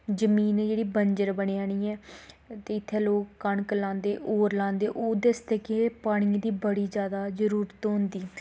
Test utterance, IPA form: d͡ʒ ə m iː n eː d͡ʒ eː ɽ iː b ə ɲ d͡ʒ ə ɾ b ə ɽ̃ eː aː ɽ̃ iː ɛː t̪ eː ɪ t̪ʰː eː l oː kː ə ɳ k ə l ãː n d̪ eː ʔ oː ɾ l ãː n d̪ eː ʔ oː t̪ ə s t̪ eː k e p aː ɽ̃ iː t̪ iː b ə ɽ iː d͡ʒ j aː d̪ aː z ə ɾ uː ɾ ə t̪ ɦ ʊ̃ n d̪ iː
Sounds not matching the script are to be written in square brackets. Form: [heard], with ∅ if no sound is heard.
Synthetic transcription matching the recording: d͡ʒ ə m iː n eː d͡ʒ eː ɽ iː b ə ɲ d͡ʒ ə ɾ b ə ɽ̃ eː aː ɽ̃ iː ɛː t̪ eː ɪ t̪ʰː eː l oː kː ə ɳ k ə l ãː n d̪ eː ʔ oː ɾ l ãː n d̪ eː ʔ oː [d̪] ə s t̪ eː k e p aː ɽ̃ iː [d̪] iː b ə ɽ iː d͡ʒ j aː d̪ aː z ə ɾ uː ɾ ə t̪ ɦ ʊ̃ n d̪ iː